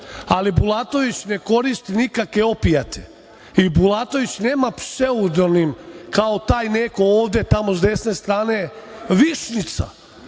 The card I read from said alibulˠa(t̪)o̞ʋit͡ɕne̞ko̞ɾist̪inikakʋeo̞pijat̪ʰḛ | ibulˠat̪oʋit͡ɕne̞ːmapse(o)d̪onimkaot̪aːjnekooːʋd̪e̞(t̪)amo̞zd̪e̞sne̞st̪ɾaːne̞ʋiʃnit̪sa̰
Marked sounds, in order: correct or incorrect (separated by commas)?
correct, incorrect, correct